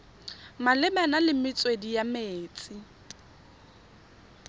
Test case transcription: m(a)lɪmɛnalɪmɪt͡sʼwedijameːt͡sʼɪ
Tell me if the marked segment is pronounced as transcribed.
yes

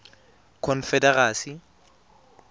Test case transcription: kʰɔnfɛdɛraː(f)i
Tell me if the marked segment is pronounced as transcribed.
no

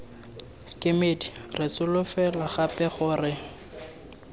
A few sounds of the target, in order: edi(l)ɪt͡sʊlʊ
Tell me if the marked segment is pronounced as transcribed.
no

